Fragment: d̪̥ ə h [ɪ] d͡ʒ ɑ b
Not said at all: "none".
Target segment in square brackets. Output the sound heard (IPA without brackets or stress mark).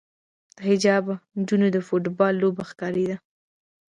ɪ